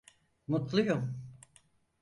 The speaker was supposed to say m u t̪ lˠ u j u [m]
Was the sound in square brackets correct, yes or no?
yes